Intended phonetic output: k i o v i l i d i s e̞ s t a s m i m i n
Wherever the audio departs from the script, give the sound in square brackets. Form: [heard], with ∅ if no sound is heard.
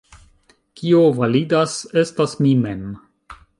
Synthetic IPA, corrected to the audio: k i o v [a] l i d [a] s e̞ s t a s m i m [e] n

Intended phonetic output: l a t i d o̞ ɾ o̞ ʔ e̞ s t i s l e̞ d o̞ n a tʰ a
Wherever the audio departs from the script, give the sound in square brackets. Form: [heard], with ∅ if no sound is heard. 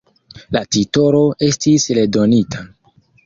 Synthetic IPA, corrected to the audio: l a t i [t] o̞ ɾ o̞ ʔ e̞ s t i s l e̞ d o̞ n [i] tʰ a

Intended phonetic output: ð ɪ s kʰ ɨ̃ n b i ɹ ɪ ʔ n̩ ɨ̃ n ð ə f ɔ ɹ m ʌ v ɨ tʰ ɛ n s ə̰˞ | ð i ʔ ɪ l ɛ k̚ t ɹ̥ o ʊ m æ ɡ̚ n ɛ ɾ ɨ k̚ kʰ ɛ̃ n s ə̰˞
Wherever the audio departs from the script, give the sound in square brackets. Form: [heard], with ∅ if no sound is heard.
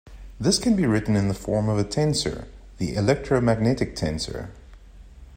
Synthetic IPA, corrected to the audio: ð ɪ s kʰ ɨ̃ n b i ɹ ɪ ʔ n̩ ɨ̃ n ð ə f ɔ ɹ m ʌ v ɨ tʰ [ɛ̃] n s ə̰˞ | ð i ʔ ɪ l ɛ k̚ t ɹ̥ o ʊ m æ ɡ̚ n ɛ ɾ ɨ k̚ [tʰ] ɛ̃ n s ə̰˞

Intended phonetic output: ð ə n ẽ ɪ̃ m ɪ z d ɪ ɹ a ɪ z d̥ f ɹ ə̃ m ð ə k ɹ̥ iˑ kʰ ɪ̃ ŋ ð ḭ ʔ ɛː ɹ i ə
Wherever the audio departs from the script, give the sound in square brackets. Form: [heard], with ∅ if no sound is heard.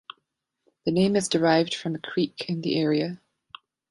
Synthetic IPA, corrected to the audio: ð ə n ẽ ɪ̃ m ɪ z d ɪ ɹ a ɪ [v] d̥ f ɹ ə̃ m ð ə [kʰ] ɹ̥ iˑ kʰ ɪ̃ [n] ð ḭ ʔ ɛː ɹ i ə

